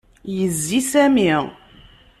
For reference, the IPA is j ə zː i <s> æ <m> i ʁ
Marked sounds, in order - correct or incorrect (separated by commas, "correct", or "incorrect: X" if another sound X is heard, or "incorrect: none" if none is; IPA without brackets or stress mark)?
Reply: correct, correct